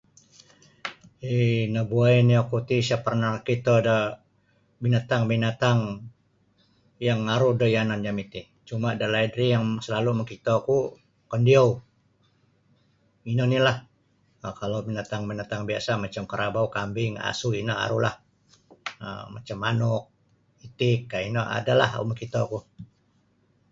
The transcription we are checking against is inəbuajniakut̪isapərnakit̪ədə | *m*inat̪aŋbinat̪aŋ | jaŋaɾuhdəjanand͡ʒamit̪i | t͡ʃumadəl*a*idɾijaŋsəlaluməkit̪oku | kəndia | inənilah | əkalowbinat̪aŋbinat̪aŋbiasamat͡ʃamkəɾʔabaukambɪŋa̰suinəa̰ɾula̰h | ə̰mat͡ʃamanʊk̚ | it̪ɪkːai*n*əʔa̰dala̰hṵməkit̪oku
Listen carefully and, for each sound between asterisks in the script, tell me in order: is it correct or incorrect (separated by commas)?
incorrect, correct, correct